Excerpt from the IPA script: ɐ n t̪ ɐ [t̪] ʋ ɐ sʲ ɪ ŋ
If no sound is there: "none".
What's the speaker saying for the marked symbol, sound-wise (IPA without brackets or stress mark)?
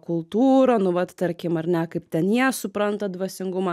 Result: d̪